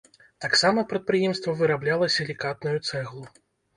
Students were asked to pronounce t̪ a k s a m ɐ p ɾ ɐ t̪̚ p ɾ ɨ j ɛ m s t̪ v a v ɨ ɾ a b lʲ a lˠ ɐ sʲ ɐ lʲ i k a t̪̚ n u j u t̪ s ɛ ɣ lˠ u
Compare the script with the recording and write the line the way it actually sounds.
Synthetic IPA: t̪ a k s a m ɐ p ɾ ɐ t̪̚ p ɾ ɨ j ɛ m s t̪ v ɐ v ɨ ɾ a b lʲ a lˠ ɐ sʲ ɐ lʲ i k a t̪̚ n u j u t̪ s ɛ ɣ lˠ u